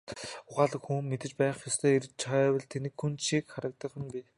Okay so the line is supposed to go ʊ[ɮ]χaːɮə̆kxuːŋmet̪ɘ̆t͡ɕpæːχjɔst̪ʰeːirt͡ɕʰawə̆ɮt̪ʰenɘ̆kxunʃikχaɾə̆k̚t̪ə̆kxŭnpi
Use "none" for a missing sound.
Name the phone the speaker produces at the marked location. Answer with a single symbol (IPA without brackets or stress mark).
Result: none